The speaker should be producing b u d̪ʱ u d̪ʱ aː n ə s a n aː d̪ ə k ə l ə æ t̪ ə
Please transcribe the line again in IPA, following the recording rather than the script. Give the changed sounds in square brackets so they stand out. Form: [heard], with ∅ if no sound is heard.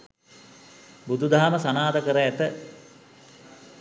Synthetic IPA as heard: b u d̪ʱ u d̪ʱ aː [m] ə s a n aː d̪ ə k ə [ɾ] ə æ t̪ ə